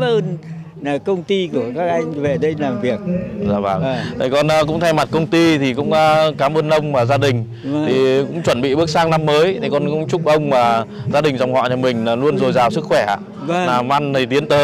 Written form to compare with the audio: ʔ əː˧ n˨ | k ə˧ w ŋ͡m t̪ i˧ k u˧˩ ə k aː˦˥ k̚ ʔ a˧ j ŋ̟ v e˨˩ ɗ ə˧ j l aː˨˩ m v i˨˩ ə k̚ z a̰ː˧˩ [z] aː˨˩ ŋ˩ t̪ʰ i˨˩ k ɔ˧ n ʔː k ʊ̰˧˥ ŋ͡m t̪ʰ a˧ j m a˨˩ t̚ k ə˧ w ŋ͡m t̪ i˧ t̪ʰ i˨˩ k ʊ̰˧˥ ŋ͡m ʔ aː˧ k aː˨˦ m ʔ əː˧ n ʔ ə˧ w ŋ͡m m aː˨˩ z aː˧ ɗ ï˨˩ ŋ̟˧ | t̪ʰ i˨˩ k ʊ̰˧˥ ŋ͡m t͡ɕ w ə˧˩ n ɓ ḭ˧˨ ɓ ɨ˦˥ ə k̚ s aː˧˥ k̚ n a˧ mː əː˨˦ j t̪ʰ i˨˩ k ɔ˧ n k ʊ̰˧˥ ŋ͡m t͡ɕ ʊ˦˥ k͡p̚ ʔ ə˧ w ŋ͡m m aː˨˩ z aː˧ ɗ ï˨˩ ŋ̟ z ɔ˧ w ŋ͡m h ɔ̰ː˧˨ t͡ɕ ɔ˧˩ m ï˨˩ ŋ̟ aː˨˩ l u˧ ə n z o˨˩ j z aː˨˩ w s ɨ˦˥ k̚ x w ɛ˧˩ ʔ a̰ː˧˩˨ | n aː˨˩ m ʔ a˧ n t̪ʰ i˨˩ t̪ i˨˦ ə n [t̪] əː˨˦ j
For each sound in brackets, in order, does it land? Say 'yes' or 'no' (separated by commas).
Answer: no, yes